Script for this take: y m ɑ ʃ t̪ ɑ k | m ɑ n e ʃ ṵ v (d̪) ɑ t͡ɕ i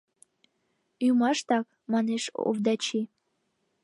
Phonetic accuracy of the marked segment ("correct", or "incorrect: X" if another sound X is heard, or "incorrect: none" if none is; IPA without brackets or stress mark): correct